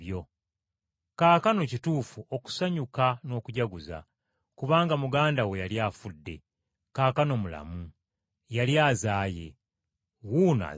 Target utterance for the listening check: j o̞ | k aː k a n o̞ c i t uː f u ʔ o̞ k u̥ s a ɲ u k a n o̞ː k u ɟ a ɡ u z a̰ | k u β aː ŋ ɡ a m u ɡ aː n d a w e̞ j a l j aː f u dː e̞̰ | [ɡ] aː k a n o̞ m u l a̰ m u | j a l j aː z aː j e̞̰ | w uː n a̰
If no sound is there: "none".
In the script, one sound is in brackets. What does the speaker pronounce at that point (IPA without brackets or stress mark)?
k